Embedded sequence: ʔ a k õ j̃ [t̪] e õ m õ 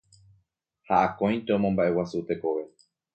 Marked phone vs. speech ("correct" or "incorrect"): correct